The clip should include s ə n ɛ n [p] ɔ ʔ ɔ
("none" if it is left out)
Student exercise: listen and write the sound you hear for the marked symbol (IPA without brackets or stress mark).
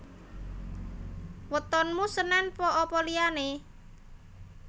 p